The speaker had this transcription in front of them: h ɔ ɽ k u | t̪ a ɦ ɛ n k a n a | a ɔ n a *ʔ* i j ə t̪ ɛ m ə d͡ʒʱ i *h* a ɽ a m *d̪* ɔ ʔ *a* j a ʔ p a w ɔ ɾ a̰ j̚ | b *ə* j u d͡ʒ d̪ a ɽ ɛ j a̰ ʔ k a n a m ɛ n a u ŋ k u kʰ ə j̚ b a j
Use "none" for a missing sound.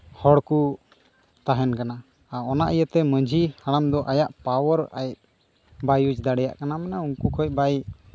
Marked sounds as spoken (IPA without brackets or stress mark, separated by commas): ʔ, h, d̪, a, a